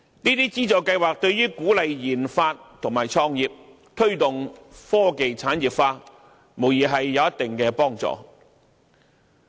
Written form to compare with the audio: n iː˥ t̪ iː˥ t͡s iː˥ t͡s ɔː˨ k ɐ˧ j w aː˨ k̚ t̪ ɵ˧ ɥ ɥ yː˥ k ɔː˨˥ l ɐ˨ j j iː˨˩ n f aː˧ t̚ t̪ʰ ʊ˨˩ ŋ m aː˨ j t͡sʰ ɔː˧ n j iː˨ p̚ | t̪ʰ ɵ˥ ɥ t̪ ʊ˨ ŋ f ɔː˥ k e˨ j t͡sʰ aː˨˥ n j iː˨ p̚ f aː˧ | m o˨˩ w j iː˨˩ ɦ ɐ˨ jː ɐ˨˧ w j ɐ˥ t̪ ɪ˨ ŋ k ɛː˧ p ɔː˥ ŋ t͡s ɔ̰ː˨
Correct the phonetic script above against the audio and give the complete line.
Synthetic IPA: n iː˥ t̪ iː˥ t͡s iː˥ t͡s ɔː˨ k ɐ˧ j w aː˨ k̚ t̪ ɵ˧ ɥ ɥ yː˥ k uː˨˥ l ɐ˨ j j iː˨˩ n f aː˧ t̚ t̪ʰ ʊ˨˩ ŋ m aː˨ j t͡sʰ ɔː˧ ŋ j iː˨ p̚ | t̪ʰ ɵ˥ ɥ t̪ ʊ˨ ŋ f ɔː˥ k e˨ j t͡sʰ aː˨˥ n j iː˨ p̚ f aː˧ | m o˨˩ w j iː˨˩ ɦ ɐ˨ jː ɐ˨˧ w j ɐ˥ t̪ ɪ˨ ŋ k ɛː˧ p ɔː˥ ŋ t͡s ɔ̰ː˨

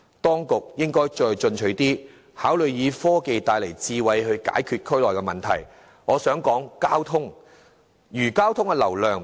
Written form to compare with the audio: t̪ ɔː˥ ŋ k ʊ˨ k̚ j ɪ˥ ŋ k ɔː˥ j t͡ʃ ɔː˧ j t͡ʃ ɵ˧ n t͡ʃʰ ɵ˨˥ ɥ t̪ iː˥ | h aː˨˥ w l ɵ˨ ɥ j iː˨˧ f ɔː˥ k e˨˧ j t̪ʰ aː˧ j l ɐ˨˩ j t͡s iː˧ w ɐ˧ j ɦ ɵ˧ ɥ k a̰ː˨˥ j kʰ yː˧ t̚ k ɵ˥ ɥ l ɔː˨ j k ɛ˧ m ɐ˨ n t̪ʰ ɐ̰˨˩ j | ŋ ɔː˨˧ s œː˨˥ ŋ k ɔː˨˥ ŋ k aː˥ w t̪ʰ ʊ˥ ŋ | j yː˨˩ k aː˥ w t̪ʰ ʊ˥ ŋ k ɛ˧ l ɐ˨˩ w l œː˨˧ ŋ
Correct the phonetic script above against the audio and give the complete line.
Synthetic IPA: t̪ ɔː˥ ŋ k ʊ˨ k̚ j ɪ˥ ŋ k ɔː˥ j t͡ʃ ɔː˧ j t͡ʃ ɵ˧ n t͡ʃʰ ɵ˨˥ ɥ t̪ iː˥ | h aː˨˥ w l ɵ˨ ɥ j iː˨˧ f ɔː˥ k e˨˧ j t̪ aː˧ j l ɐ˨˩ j t͡s iː˧ w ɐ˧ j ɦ ɵ˧ ɥ k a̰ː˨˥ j kʰ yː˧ t̚ kʰ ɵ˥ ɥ l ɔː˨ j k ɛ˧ m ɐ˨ n t̪ʰ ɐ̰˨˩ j | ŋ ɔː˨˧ s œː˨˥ ŋ k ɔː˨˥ ŋ k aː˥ w t̪ʰ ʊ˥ ŋ | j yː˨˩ k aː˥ w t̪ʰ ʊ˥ ŋ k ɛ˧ l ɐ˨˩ w l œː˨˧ ŋ

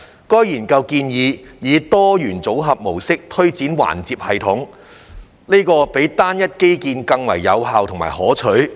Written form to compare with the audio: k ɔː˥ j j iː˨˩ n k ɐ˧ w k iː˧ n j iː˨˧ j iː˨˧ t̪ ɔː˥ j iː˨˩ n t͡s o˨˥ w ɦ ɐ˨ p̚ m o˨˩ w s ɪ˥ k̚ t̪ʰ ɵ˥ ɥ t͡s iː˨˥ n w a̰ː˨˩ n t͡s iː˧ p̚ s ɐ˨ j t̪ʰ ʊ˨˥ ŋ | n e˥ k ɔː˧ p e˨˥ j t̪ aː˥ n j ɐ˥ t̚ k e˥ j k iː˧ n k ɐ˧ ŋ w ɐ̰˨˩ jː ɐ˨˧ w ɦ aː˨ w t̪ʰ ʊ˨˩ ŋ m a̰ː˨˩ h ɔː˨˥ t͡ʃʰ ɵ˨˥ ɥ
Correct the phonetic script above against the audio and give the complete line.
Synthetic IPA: k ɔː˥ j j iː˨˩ n k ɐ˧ w k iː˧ n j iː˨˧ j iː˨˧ t̪ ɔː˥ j yː˨˩ n t͡s o˨˥ w ɦ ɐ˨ p̚ m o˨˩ w s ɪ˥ k̚ t̪ʰ ɵ˥ ɥ t͡s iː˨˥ n w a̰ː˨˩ n t͡s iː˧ p̚ h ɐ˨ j t̪ʰ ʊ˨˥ ŋ | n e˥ k ɔː˧ p e˨˥ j t̪ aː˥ n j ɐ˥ t̚ k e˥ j k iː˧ n k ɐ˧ ŋ w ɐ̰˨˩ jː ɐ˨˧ w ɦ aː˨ w t̪ʰ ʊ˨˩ ŋ m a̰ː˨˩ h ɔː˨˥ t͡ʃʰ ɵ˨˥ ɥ

